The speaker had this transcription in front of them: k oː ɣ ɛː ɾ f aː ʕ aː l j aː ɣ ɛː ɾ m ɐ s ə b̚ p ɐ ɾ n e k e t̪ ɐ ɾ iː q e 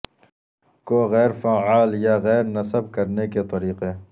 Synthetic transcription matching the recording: k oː ɣ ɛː ɾ f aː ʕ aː l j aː ɣ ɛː ɾ n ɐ s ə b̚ k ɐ ɾ n e k e t̪ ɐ ɾ iː q e